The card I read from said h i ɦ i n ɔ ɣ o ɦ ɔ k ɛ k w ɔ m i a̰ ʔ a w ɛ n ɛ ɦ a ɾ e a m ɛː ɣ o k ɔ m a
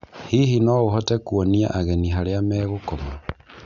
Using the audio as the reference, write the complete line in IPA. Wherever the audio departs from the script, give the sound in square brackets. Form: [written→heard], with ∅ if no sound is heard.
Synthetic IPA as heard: h i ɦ i n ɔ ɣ o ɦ ɔ [k→t] ɛ k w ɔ [m→n] i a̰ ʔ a [w→ɣ] ɛ n [ɛ→i] ɦ a ɾ e a m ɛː ɣ o k ɔ m a